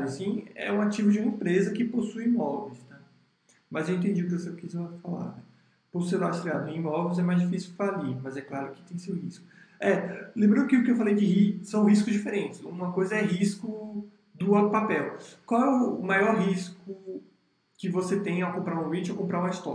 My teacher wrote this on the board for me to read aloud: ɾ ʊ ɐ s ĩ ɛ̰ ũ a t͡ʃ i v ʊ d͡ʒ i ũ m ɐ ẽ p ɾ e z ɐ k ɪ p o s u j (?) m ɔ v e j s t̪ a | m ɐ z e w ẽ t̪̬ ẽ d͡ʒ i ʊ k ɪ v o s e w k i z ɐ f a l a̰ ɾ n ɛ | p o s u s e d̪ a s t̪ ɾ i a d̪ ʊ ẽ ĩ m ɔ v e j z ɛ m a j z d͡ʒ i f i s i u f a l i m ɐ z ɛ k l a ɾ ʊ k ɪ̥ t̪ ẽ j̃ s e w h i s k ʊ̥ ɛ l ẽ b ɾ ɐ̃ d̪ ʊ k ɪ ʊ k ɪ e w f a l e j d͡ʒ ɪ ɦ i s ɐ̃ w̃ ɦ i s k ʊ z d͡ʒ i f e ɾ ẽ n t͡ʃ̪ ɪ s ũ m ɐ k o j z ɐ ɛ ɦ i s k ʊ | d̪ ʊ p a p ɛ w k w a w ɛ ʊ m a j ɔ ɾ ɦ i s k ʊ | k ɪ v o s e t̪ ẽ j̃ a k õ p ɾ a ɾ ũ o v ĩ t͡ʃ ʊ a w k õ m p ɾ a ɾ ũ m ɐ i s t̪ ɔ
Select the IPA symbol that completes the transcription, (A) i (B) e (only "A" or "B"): A